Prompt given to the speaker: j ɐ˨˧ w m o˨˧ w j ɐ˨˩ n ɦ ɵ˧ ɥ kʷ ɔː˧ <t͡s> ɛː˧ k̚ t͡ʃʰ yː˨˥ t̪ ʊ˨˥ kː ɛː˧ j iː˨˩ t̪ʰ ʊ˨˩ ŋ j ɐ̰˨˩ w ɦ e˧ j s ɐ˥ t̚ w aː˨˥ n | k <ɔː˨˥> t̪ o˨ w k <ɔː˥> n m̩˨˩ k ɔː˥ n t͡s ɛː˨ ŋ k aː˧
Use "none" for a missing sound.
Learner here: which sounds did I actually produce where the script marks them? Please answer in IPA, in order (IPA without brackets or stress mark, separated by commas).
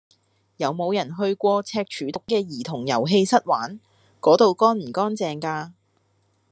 t͡sʰ, ɔː˨˥, ɔː˥